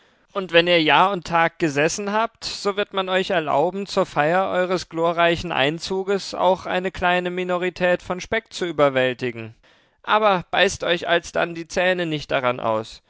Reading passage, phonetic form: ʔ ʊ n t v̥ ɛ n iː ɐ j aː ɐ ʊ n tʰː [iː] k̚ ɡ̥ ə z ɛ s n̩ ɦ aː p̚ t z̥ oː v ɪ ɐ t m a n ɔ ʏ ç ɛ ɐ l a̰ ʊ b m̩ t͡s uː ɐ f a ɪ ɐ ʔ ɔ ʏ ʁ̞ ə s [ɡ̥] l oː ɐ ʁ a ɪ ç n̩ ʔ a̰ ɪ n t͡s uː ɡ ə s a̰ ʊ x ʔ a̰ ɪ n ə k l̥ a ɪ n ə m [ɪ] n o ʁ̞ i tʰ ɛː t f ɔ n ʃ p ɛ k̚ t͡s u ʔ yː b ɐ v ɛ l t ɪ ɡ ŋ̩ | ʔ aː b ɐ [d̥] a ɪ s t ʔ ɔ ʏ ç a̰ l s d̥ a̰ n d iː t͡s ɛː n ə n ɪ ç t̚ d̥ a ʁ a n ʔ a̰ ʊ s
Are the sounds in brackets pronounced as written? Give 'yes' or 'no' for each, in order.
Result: no, yes, no, no

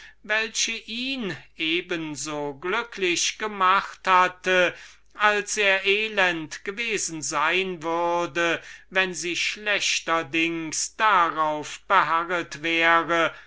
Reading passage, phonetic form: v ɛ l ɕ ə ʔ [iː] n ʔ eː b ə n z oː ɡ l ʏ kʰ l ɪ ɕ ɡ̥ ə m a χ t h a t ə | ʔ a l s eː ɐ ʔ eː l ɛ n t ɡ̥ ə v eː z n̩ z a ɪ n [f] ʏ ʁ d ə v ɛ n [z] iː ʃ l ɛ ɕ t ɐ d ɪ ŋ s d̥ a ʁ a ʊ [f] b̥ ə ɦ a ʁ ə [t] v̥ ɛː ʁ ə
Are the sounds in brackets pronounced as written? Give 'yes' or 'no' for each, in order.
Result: yes, no, yes, yes, yes

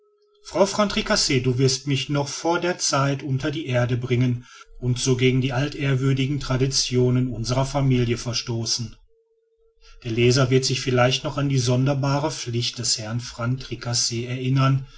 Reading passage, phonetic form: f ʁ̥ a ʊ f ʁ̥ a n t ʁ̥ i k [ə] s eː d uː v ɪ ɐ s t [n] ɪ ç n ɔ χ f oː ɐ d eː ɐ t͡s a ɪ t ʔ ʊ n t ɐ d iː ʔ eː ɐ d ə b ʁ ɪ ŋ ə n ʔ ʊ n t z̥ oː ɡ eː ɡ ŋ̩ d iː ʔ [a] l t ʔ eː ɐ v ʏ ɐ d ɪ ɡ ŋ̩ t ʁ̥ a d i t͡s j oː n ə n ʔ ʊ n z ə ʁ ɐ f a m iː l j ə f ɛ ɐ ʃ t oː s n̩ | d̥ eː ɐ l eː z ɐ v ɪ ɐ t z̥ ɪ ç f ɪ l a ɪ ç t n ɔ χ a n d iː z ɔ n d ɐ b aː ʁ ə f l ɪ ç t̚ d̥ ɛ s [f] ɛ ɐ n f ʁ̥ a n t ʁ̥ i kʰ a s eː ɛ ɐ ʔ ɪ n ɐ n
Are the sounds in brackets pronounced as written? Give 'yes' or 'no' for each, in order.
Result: no, no, yes, no

